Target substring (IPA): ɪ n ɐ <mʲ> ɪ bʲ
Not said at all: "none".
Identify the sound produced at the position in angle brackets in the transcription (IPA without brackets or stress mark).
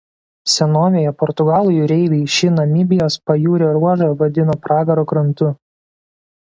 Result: mʲ